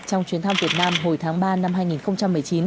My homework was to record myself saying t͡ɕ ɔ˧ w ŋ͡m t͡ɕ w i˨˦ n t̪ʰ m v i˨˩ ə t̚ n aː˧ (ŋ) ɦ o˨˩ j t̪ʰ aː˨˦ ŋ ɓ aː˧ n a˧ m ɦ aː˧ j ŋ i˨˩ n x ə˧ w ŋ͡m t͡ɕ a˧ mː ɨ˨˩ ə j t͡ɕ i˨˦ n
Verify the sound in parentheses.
incorrect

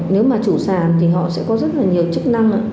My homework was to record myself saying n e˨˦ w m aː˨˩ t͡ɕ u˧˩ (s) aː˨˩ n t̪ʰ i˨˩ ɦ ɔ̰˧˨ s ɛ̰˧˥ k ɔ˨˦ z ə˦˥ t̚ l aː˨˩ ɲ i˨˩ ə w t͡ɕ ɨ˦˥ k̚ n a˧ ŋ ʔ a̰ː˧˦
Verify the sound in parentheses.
correct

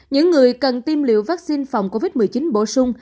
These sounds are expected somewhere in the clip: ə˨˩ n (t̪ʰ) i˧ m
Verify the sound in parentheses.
incorrect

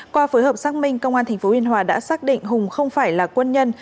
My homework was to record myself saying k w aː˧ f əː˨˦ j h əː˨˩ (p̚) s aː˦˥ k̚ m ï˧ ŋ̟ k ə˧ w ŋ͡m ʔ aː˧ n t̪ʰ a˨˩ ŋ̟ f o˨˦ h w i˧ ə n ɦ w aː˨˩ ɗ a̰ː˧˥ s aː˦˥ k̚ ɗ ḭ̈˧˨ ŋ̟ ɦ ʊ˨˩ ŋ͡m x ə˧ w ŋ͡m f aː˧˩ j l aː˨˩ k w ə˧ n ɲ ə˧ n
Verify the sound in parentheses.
correct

